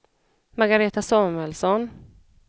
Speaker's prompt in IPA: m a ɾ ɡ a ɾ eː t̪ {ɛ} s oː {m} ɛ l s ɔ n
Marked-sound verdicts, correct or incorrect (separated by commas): incorrect, correct